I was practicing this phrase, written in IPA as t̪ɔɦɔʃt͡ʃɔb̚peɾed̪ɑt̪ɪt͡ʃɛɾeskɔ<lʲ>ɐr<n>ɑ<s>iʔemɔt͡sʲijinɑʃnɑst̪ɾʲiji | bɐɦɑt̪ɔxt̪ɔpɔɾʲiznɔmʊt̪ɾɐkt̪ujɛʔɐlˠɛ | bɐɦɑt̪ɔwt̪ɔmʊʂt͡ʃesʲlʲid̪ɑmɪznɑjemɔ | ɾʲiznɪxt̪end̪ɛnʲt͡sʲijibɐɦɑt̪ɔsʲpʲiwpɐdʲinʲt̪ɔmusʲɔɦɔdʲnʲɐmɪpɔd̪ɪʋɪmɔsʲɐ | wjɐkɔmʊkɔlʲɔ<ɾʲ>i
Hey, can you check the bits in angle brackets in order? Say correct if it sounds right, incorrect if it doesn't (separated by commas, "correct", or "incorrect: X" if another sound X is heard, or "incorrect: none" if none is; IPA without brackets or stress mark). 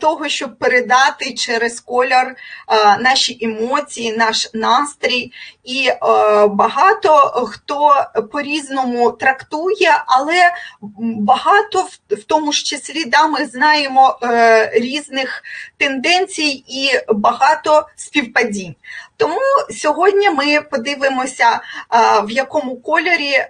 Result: correct, correct, incorrect: ʃ, correct